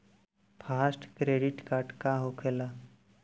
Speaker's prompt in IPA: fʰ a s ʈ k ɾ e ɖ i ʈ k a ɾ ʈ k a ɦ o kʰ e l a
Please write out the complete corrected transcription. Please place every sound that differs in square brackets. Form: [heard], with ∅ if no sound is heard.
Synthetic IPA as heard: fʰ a s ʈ k ɾ e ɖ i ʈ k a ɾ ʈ k a ɦ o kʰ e l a